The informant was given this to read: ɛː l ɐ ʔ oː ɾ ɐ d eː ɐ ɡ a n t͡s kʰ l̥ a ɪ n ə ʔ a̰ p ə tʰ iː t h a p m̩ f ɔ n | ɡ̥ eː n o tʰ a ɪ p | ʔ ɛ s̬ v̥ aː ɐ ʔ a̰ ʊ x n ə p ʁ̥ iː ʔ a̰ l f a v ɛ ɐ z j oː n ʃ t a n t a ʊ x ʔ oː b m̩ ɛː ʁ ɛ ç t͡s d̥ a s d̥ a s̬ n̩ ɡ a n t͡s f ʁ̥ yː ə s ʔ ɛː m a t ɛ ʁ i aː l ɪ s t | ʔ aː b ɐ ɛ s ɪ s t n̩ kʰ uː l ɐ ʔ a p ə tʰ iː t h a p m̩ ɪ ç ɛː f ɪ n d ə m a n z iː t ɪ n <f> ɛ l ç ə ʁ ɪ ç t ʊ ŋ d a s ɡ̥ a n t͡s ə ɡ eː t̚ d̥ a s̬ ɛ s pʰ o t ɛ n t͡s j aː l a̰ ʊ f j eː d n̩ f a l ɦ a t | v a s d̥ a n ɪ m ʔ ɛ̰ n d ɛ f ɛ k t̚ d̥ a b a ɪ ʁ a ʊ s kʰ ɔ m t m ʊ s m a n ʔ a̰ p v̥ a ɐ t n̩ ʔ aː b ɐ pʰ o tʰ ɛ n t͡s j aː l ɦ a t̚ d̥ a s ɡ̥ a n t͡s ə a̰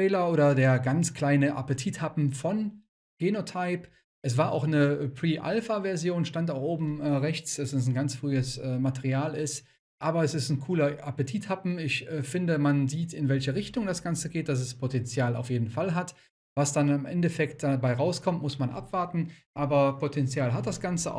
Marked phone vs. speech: incorrect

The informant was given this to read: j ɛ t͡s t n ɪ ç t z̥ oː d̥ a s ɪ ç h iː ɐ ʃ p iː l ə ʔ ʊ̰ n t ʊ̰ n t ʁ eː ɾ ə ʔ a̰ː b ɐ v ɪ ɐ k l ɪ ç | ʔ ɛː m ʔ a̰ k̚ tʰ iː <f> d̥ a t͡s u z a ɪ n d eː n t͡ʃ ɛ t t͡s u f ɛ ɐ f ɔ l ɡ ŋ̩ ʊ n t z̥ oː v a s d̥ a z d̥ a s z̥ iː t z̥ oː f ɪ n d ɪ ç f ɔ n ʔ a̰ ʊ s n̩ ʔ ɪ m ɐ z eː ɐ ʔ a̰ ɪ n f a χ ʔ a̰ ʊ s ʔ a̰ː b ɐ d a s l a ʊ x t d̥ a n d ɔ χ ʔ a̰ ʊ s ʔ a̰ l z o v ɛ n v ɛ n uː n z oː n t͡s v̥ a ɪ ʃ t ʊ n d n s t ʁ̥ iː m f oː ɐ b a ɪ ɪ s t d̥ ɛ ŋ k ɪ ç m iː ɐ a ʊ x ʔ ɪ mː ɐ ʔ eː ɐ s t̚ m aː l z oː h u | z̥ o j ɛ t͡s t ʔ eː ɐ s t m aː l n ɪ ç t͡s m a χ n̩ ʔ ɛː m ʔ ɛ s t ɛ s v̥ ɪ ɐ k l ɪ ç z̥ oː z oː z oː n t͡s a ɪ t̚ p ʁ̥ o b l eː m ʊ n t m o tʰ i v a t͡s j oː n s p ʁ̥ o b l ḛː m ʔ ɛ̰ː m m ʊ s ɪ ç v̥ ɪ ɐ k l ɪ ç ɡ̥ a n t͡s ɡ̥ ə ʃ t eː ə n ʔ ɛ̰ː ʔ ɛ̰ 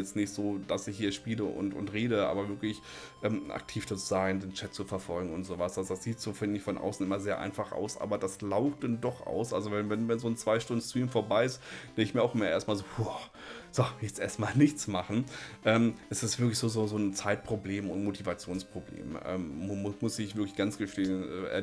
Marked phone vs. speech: correct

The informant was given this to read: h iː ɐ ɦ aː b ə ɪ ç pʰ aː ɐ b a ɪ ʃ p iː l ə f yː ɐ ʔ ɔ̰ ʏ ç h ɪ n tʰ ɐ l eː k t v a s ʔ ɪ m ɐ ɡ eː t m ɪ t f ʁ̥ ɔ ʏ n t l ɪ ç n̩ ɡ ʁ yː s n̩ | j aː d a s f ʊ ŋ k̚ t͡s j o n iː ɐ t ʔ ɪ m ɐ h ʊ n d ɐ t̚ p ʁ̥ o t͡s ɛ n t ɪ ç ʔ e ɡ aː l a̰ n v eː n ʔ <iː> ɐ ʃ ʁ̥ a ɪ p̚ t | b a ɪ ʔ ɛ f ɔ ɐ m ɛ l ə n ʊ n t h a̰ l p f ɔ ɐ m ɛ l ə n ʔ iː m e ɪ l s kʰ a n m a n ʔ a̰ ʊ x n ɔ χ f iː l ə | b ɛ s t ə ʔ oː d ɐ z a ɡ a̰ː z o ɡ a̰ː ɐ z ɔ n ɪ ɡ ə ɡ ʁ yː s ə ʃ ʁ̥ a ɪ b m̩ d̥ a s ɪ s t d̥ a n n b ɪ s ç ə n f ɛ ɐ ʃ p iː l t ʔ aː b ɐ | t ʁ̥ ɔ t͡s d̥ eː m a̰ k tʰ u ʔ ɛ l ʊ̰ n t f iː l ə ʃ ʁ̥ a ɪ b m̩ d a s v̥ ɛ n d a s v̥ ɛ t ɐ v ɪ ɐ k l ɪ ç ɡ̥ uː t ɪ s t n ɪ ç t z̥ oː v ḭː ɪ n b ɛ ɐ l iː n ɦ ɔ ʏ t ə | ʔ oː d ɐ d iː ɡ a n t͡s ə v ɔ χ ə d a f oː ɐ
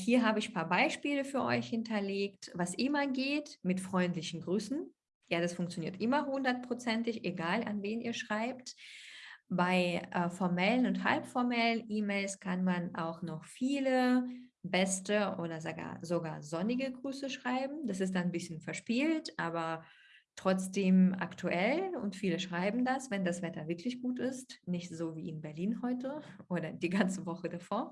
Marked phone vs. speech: correct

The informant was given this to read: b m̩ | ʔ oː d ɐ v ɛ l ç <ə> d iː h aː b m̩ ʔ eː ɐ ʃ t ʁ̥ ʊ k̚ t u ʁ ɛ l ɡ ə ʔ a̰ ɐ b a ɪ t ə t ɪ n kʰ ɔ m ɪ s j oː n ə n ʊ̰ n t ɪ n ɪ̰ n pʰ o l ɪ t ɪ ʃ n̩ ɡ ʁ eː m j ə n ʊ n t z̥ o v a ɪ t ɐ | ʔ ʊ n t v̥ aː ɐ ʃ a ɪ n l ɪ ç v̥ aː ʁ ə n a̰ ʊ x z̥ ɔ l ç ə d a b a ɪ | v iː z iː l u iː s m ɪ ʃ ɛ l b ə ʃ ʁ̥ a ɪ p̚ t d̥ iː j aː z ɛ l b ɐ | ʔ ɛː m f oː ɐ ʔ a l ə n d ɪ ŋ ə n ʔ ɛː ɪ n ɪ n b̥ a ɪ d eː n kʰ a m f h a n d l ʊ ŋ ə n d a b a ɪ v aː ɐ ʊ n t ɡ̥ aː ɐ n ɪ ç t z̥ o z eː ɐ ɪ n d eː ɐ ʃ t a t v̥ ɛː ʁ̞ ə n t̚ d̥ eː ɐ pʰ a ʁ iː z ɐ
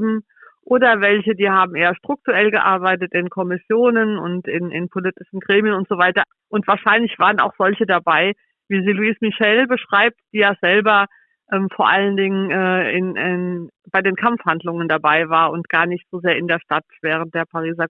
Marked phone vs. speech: correct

